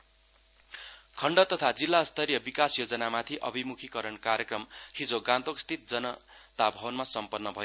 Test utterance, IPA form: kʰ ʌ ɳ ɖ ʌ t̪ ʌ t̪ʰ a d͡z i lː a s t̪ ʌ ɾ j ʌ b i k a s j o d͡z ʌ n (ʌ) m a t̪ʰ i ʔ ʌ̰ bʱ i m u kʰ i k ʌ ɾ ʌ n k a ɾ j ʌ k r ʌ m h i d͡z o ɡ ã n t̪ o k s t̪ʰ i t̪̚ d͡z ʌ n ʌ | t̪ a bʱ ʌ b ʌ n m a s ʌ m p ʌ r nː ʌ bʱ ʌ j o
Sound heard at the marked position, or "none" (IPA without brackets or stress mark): a